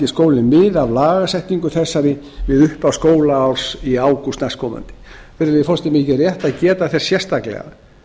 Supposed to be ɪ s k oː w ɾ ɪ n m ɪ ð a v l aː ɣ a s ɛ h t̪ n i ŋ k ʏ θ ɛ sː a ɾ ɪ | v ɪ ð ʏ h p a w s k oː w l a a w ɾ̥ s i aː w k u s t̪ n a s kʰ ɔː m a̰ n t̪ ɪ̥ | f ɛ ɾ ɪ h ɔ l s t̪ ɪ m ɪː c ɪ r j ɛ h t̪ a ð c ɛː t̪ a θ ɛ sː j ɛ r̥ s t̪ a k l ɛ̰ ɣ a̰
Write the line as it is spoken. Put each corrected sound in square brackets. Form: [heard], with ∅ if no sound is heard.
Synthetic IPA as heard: ɪ s k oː w [l] ɪ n m ɪ ð a v l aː ɣ a s ɛ h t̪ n i ŋ k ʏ θ ɛ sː a ɾ ɪ | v ɪ ð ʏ h p a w s k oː w l a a w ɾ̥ s i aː w k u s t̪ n a s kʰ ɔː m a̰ n t̪ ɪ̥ | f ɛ ɾ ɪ [f] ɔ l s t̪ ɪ m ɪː c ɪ r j ɛ h t̪ a ð c ɛː t̪ a θ ɛ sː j ɛ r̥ s t̪ a k l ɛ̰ ɣ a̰